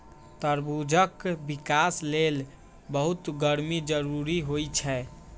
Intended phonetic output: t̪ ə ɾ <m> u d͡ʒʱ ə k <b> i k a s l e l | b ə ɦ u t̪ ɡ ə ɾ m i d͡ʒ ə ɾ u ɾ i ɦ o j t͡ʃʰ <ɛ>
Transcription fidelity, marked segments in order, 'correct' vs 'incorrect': incorrect, correct, correct

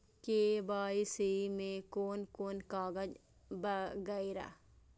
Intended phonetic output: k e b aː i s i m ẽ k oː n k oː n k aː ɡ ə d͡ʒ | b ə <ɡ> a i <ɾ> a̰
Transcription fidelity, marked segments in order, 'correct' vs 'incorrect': correct, correct

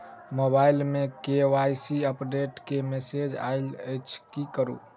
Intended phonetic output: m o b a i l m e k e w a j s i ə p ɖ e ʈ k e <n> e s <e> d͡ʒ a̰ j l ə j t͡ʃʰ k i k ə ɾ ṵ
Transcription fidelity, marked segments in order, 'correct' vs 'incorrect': incorrect, correct

